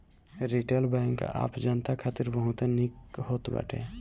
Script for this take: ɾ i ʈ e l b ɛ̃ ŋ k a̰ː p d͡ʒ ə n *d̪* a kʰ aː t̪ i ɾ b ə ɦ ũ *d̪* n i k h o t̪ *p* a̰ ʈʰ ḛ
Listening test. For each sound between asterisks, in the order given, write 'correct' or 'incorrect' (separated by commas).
incorrect, incorrect, incorrect